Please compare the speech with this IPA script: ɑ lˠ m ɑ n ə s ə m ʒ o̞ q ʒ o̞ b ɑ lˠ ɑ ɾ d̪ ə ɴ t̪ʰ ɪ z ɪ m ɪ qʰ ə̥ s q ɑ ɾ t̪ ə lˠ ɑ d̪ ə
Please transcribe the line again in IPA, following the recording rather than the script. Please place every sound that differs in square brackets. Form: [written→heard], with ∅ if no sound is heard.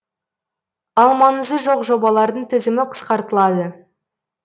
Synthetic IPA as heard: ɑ lˠ m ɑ n ə [s→z] ə [m→∅] ʒ o̞ q ʒ o̞ b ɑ lˠ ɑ ɾ d̪ ə ɴ t̪ʰ ɪ z ɪ m ɪ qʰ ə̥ s q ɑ ɾ t̪ ə lˠ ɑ d̪ ə